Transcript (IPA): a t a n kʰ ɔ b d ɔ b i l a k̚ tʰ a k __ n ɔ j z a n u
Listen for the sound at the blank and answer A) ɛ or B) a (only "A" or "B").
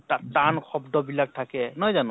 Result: A